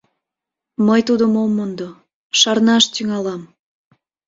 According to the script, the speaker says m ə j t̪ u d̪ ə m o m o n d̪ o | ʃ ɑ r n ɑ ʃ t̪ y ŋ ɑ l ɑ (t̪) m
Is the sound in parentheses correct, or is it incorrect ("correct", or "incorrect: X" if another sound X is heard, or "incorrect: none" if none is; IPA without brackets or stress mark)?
incorrect: none